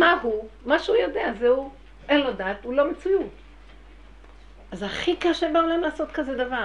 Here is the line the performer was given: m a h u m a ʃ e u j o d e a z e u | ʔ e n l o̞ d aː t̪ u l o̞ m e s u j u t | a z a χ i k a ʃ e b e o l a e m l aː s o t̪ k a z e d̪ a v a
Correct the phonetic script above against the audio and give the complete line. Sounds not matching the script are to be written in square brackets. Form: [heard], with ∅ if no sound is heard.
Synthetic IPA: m a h u m a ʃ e u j o d e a z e u | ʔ e n l o̞ d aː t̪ u l o̞ m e [t͡s] u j u t | a z a χ i k a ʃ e b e o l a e m l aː s o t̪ k a z e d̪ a v a